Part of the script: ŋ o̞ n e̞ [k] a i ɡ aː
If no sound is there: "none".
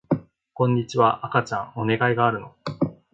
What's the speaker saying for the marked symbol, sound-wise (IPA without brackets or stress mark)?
ɡ